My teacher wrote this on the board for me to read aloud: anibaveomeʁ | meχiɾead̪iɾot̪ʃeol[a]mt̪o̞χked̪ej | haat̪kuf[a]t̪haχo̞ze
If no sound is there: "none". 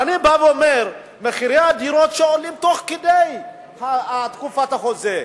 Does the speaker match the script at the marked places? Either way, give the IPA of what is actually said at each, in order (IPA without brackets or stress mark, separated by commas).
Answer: i, a